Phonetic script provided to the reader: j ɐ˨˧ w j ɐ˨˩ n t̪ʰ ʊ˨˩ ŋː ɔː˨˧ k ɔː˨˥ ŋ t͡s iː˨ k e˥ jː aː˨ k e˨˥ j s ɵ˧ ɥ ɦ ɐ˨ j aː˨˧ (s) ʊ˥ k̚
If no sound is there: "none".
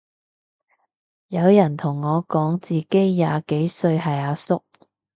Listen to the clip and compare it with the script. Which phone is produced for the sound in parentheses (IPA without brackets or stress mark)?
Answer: s